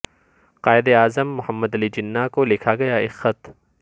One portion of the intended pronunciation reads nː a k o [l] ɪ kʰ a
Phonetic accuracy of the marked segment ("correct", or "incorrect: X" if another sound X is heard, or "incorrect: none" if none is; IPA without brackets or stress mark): correct